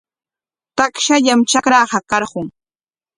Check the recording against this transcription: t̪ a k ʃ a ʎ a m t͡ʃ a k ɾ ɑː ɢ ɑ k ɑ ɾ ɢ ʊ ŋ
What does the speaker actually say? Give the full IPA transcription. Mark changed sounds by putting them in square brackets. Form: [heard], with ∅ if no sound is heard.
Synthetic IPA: t̪ a k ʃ a ʎ a m t͡ʃ a k ɾ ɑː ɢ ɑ k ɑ ɾ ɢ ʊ ŋ